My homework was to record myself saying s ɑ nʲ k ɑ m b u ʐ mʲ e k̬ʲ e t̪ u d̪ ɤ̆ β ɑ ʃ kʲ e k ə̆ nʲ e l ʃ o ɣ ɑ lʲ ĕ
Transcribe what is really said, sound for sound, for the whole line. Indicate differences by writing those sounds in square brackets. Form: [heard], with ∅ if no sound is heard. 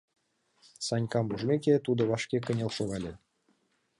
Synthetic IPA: s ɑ nʲ k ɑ m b u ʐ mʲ e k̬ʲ e t̪ u d̪ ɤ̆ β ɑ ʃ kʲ e k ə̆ nʲ e l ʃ o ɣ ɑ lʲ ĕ